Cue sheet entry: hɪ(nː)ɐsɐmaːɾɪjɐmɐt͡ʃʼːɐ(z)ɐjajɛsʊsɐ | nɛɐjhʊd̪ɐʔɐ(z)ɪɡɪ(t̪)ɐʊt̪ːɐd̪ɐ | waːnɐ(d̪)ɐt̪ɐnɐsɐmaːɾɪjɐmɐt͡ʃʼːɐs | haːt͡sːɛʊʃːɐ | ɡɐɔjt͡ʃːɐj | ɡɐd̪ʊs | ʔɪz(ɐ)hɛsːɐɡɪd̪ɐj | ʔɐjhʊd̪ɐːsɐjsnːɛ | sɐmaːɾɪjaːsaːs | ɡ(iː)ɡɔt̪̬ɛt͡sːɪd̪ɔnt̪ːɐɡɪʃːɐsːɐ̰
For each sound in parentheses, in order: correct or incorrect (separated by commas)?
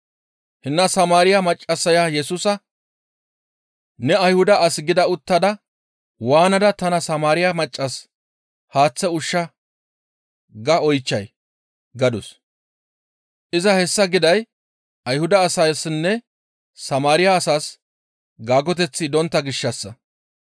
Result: correct, incorrect, incorrect, incorrect, correct, correct, incorrect